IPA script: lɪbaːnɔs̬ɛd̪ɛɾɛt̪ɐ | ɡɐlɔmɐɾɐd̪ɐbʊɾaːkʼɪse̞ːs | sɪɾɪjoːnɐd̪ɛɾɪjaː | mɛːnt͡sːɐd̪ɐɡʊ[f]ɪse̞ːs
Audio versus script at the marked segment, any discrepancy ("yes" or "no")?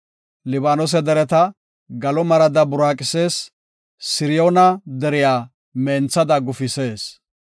no